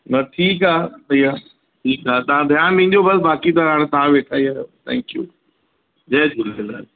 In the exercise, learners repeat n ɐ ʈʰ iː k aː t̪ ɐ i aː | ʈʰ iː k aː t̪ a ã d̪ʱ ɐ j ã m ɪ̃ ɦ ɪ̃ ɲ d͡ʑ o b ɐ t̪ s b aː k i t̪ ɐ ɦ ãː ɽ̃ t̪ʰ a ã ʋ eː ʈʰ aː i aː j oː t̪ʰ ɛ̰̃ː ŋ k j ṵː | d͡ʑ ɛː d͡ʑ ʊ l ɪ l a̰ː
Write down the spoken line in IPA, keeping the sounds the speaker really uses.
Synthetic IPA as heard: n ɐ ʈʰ iː k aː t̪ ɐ i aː | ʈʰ iː k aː t̪ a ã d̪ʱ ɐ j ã m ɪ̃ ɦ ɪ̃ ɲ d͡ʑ o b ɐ s b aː k i t̪ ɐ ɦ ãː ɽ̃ t̪ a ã ʋ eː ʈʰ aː i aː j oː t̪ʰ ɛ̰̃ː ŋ k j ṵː | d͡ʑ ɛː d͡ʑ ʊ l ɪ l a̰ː